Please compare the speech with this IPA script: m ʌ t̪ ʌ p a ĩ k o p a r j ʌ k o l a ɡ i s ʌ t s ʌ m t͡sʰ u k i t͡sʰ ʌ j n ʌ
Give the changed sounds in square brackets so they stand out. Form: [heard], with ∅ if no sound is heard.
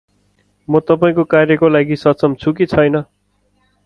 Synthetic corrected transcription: m ʌ t̪ ʌ p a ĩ k o [k] a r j ʌ k o l a ɡ i s ʌ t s ʌ m t͡sʰ u k i t͡sʰ ʌ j n ʌ